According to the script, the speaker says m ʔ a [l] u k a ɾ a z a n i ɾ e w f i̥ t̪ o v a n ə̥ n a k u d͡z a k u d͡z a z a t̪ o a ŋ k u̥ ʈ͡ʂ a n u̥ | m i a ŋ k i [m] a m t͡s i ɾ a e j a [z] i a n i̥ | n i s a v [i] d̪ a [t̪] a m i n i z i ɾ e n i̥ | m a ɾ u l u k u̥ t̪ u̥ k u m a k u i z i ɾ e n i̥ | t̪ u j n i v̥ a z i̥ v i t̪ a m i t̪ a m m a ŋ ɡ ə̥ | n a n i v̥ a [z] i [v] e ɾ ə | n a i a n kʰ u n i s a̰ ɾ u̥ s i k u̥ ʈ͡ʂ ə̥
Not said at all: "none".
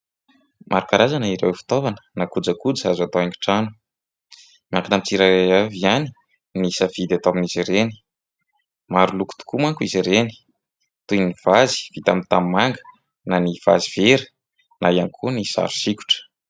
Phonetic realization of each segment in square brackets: ɾ, n, v, i, t̪, z, v

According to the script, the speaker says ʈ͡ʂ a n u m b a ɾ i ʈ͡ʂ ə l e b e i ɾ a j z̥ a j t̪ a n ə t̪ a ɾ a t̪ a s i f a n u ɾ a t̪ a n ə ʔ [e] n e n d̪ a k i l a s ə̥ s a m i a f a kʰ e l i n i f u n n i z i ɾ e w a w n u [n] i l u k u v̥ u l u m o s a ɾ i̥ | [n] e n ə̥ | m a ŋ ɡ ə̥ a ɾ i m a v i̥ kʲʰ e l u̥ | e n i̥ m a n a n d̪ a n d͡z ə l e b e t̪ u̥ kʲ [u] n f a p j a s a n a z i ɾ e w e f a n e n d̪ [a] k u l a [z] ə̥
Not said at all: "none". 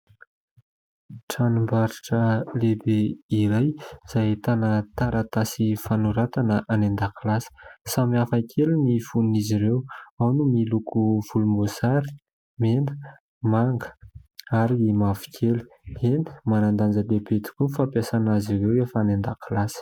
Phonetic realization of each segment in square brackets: a, m, m, u, a, s

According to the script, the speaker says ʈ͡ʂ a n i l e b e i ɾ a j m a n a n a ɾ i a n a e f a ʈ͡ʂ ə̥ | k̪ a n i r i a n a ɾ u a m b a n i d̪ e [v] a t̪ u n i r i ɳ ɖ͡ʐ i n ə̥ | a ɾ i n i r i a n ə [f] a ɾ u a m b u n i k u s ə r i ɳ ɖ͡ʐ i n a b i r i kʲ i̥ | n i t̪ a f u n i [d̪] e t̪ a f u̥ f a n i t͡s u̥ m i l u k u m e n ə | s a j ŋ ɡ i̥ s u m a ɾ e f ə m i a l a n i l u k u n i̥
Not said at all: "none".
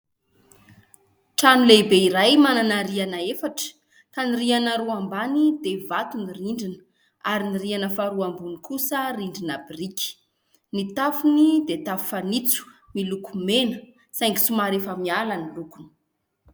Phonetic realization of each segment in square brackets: v, f, d̪

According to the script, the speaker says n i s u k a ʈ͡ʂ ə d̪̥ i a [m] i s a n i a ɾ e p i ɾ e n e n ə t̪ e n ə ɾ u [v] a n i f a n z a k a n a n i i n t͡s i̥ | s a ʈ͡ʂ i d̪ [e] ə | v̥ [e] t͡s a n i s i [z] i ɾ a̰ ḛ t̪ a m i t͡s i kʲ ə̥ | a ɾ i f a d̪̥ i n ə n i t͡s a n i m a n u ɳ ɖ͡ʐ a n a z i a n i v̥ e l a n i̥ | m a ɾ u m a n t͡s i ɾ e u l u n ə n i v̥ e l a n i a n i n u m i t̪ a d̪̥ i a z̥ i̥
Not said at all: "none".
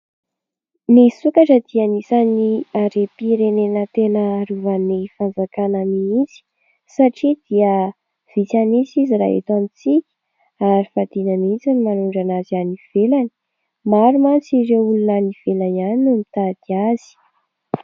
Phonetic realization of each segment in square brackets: n, v, i, i, z

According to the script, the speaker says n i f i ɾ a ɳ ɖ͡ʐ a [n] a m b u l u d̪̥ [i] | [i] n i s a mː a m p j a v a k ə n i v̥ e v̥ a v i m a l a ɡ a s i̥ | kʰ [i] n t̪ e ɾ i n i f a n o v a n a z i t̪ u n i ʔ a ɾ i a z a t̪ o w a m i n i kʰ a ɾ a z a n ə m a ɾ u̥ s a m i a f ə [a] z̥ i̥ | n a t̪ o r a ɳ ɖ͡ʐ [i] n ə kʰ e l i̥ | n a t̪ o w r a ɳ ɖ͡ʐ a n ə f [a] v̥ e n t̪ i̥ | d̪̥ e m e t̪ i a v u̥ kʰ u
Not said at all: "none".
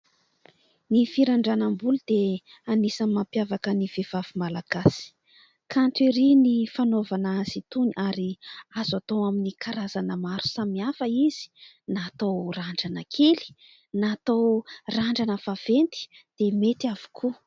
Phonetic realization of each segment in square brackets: n, e, a, a, i, a, a

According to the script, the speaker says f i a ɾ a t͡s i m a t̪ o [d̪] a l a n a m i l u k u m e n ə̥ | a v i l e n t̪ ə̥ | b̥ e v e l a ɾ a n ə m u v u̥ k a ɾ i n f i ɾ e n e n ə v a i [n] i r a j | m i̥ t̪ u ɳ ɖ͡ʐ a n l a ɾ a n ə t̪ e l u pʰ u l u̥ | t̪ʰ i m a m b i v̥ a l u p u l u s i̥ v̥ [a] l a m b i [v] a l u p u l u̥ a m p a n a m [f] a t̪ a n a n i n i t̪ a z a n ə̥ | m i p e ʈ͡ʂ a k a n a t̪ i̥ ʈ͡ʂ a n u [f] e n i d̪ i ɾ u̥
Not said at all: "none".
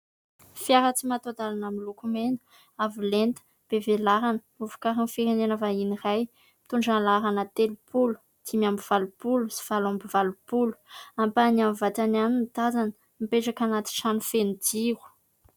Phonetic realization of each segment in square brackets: d̪, n, a, v, v, f

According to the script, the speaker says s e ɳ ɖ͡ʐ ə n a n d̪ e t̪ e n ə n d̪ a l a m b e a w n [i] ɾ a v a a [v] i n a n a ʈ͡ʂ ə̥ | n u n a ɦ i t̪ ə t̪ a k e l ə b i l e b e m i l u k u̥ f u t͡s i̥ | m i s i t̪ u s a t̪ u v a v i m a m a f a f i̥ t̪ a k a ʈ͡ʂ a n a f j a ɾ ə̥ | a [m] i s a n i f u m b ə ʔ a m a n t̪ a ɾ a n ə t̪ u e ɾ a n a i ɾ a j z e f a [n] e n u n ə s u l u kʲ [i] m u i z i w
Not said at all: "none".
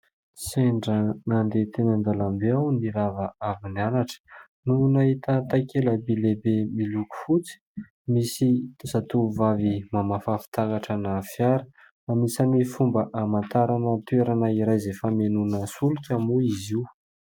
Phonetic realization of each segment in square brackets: i, v, m, m, a

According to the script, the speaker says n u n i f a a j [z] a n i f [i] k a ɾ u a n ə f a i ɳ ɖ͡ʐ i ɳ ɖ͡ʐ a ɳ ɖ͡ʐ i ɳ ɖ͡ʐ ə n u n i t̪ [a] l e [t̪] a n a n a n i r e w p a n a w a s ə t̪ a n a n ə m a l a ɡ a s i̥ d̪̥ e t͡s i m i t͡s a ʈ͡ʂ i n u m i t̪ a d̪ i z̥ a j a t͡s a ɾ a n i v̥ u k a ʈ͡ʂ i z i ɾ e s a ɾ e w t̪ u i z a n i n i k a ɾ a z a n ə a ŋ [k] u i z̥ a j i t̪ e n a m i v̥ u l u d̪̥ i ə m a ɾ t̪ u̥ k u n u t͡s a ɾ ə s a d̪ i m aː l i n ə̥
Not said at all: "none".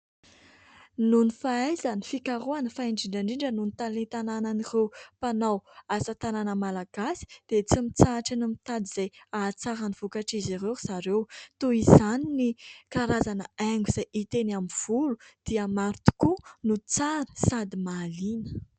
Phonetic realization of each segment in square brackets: z, i, a, t̪, ɡ

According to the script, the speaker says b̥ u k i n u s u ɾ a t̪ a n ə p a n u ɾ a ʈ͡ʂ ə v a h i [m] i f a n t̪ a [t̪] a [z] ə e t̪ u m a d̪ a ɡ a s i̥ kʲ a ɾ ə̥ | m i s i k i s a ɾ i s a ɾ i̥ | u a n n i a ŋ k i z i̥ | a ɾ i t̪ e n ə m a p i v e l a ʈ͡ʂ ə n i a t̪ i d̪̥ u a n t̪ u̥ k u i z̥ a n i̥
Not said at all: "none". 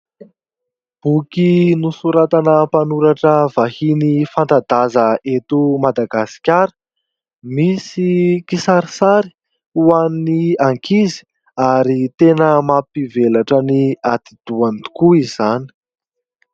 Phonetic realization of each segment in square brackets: n, d̪, z

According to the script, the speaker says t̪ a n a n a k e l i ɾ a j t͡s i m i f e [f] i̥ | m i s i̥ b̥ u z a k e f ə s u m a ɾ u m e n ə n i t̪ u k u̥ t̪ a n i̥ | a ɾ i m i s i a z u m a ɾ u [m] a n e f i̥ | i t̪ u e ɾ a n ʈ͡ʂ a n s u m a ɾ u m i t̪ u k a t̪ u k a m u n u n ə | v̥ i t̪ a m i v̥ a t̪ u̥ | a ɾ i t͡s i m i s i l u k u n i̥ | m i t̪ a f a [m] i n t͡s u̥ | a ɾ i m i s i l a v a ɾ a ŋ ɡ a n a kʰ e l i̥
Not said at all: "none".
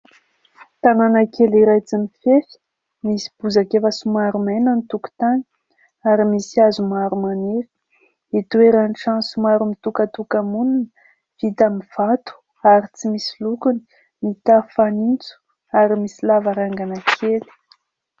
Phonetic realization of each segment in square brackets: f, m, n

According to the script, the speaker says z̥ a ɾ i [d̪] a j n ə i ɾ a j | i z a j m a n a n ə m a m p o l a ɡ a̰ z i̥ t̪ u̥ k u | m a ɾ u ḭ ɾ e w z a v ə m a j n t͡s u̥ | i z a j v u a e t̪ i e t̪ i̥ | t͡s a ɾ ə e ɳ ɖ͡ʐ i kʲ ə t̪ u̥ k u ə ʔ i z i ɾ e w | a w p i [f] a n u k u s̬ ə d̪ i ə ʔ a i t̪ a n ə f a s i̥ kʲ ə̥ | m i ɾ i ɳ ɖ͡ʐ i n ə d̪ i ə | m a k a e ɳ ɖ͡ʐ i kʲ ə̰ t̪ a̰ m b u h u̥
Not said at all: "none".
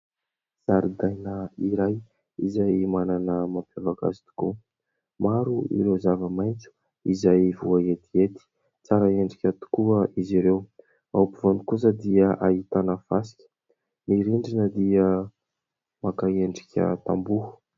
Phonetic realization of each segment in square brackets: d̪, v

